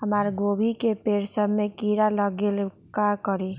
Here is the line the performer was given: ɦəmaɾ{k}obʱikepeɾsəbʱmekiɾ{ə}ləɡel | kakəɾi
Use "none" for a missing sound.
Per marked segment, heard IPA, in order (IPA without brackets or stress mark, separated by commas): ɡ, a